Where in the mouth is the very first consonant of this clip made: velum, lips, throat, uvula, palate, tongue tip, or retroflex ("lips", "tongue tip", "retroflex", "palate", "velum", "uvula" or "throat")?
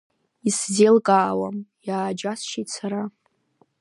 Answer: tongue tip